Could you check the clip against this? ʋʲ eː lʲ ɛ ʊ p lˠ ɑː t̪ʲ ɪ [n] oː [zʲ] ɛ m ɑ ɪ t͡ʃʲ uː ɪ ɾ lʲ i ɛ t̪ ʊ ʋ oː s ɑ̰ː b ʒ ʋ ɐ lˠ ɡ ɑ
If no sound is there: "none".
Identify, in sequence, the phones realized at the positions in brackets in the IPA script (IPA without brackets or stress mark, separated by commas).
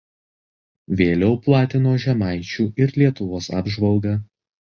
n, ʒʲ